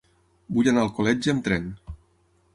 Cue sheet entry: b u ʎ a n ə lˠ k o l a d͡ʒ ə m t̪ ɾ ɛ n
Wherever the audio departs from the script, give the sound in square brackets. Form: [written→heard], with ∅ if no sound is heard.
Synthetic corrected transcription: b u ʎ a n [ə→a] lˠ k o l [a→ɛ] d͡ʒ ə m t̪ ɾ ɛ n

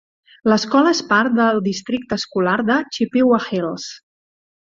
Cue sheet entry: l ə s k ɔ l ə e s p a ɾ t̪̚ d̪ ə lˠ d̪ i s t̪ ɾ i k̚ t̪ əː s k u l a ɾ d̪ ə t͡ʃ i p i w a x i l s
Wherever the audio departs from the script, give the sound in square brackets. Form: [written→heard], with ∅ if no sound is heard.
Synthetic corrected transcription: l ə s k ɔ l ə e s p a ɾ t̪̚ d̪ ə lˠ d̪ i s t̪ ɾ i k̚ t̪ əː s k u l a ɾ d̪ ə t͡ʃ i p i w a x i l s

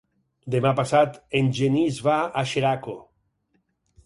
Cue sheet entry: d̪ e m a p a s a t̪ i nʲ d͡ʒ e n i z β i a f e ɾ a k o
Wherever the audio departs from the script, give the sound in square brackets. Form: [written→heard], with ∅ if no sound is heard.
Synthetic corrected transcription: d̪ e m a p a s a t̪ [i→e] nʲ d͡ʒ e n i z β [i→a] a [f→ʃ] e ɾ a k o

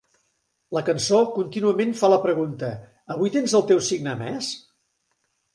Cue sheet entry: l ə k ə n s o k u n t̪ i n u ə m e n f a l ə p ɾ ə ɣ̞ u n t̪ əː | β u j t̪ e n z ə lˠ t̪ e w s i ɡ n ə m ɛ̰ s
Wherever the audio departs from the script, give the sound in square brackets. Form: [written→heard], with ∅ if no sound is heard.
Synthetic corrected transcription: l ə k ə n s o k u n t̪ i n u ə m e n f a l ə p ɾ ə ɣ̞ u n t̪ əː | β u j t̪ e n z ə lˠ t̪ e w s i ɡ n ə m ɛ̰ s

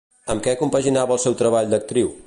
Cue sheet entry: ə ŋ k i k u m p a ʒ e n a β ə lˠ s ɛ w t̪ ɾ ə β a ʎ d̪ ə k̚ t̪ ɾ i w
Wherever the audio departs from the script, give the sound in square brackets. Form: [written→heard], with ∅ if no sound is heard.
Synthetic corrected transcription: ə [ŋ→m] k [i→ɛ] k u m p [a→ə] ʒ [e→i] n a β ə lˠ s ɛ w t̪ ɾ ə β a ʎ d̪ ə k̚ t̪ ɾ i w

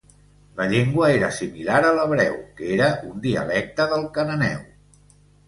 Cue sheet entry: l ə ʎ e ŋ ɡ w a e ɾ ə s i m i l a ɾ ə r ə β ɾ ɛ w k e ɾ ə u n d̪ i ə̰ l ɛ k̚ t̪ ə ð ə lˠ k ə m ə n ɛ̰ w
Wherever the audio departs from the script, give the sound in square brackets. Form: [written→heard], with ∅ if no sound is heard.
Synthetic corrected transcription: l ə ʎ e ŋ ɡ w [a→ə] e ɾ ə s i m i l a ɾ ə [r→l] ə β ɾ ɛ w k e ɾ ə u n d̪ i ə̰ l ɛ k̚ t̪ ə ð ə lˠ k ə [m→n] ə n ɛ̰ w

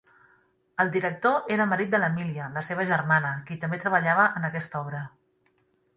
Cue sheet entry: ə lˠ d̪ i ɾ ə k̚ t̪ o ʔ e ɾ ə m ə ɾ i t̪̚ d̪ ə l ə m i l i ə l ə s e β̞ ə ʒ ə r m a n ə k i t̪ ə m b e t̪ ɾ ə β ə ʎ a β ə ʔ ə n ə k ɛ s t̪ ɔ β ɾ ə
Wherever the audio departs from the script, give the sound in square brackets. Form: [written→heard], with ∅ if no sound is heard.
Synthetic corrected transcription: ə lˠ d̪ i ɾ ə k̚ t̪ o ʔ e ɾ ə m ə ɾ i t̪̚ d̪ ə l ə m i l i ə l ə s e β̞ ə ʒ ə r m a n ə k i t̪ ə m b e t̪ ɾ ə β ə ʎ a β ə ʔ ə n ə k ɛ s t̪ ɔ β ɾ ə

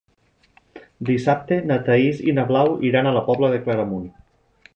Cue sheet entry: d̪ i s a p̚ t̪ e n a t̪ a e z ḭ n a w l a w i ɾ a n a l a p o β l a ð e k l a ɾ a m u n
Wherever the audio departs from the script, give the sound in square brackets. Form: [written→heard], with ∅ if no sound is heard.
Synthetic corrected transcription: d̪ i s a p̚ t̪ e n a t̪ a [e→i] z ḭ n a [w→β] l a w i ɾ a n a l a p [o→ɔ] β l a ð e k l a ɾ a m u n

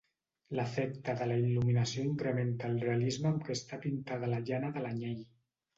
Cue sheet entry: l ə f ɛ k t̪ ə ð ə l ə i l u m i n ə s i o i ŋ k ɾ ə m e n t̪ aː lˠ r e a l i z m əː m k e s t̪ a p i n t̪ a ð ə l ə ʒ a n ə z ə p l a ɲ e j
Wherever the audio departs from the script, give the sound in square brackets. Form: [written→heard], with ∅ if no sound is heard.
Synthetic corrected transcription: l ə f ɛ k t̪ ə ð ə l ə i l u m i n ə s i o i ŋ k ɾ ə m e n t̪ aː lˠ r e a l i z m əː m k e s t̪ a p i n t̪ a ð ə l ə ʒ a n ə [z→ð] ə [p→∅] l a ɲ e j

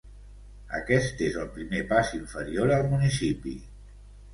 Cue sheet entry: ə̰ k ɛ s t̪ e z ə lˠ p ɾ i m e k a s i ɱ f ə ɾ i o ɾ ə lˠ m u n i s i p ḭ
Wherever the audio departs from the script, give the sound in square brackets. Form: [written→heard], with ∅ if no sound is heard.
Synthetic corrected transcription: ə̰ k ɛ s t̪ e z ə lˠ p ɾ i m e [k→p] a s i ɱ f ə ɾ i o ɾ ə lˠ m u n i s i p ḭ

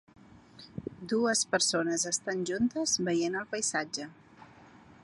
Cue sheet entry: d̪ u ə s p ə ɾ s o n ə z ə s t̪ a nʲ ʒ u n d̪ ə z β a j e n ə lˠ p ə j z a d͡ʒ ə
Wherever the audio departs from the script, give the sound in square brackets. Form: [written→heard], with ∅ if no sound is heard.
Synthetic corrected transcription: d̪ u ə s p ə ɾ s o n ə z ə s t̪ a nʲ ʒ u n [d̪→t̪] ə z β [a→ə] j e n ə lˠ p ə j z a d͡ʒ ə

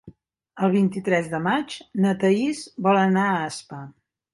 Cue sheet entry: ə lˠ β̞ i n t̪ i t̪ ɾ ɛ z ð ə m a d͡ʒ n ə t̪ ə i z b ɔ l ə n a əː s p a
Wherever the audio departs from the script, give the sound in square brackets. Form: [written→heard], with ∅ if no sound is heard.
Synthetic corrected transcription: ə lˠ β̞ i n t̪ i t̪ ɾ ɛ z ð ə m a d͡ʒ n ə t̪ ə i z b ɔ l ə n a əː s p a

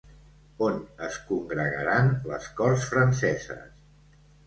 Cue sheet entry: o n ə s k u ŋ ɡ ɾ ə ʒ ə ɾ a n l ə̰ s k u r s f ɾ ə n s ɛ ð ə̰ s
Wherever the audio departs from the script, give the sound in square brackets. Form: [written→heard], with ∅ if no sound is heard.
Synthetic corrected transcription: o n ə s k u ŋ ɡ ɾ ə [ʒ→ɣ] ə ɾ a n l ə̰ s k [u→ɔ] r s f ɾ ə n s ɛ [ð→z] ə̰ s

